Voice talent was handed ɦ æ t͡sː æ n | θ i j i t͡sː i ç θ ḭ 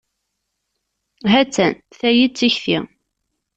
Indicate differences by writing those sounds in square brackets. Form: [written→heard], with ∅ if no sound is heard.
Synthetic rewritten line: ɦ æ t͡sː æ n | θ [i→æ] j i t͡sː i ç θ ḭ